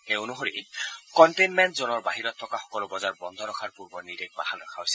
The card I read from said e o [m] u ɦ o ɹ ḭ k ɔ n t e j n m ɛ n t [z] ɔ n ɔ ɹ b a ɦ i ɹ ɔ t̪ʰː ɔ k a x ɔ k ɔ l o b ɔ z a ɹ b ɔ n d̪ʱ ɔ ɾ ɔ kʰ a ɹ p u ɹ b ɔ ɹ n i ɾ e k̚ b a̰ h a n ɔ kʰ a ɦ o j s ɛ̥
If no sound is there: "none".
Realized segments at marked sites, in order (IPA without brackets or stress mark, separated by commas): n, z